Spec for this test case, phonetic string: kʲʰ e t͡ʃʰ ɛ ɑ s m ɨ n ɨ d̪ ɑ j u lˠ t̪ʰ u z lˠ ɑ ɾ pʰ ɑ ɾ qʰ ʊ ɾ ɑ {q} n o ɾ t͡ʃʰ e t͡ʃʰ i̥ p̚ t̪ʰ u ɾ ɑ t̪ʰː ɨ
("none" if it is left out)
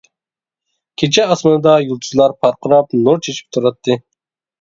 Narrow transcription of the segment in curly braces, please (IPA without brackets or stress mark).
p